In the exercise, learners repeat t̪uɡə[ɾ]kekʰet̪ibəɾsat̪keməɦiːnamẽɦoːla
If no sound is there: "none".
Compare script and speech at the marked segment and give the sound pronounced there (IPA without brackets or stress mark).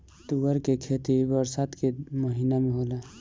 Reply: ɾ